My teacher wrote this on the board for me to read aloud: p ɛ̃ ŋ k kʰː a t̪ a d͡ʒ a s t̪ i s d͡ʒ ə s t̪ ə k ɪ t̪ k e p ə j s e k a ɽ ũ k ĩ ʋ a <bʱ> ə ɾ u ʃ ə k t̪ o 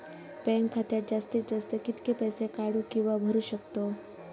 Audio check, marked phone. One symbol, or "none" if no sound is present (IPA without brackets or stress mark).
bʱ